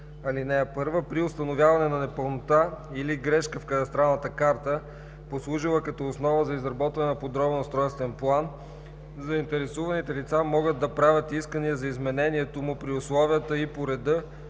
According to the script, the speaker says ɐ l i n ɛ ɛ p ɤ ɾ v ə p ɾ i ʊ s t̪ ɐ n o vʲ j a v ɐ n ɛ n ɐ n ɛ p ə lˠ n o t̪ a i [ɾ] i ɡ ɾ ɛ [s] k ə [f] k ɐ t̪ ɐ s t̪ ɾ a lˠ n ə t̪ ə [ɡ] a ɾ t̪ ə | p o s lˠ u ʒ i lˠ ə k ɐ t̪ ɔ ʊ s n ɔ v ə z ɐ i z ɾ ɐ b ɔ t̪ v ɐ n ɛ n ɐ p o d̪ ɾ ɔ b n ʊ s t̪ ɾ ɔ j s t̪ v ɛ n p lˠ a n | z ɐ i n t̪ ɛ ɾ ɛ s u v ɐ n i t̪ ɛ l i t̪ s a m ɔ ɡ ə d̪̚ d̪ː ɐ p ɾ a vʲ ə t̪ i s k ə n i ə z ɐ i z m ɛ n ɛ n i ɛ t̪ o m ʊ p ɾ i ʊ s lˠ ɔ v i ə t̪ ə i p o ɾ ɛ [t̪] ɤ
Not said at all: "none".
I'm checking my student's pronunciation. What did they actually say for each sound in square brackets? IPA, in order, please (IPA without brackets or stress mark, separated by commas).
l, ʃ, f, k, d̪